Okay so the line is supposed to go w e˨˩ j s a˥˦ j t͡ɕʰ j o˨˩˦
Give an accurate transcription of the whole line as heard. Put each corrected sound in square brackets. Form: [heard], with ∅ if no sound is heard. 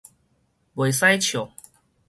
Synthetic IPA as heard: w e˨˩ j s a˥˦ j t͡ɕʰ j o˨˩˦